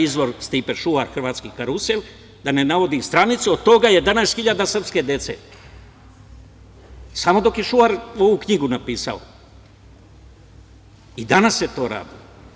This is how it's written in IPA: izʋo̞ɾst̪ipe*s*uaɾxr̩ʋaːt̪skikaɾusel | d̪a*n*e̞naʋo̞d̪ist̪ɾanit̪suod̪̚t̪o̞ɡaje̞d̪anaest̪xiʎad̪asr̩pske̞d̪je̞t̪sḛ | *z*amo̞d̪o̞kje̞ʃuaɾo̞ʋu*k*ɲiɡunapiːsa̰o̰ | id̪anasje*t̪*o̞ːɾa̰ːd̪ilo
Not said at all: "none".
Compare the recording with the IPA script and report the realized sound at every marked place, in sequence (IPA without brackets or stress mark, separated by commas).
ʃ, n, s, k, t̪